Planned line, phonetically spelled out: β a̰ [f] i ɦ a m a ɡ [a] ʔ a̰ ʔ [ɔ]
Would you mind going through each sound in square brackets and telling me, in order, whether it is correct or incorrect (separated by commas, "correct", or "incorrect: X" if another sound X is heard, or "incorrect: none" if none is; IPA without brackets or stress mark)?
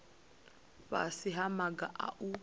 incorrect: s, correct, incorrect: u